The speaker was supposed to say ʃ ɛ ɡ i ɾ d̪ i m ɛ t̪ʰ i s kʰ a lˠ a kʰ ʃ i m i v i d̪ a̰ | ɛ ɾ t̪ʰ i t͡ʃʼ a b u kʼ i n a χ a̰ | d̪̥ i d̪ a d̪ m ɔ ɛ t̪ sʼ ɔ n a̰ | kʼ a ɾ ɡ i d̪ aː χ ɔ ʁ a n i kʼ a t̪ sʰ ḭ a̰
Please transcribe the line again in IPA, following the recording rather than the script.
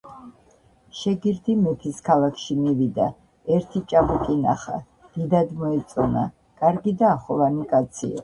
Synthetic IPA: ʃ ɛ ɡ i ɾ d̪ i m ɛ t̪ʰ i s kʰ a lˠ a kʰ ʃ i m i v i d̪ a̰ | ɛ ɾ t̪ʰ i t͡ʃʼ a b u kʼ i n a χ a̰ | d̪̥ i d̪ a d̪ m ɔ ɛ t̪ sʼ ɔ n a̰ | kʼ a ɾ ɡ i d̪ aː χ ɔ v a n i kʼ a t̪ sʰ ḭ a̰